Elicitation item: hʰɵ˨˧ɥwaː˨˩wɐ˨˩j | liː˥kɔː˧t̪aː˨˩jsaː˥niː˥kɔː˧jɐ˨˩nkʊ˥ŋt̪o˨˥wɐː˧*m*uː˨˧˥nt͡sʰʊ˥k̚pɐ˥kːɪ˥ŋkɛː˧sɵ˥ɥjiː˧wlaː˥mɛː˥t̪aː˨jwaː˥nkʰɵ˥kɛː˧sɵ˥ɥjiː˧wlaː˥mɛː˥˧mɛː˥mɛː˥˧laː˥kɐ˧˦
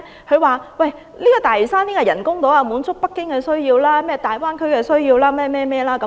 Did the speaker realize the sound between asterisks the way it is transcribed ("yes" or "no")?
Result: yes